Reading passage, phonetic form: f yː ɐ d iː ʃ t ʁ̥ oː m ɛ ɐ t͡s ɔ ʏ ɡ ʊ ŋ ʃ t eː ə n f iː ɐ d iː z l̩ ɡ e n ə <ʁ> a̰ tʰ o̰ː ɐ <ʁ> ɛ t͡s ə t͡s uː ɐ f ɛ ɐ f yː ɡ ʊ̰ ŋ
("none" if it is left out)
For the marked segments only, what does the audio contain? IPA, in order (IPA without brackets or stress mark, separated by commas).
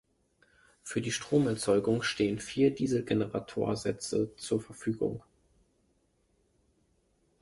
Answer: ʁ, z